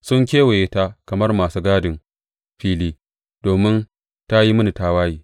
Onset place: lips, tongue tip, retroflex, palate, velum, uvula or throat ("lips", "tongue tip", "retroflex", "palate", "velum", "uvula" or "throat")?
tongue tip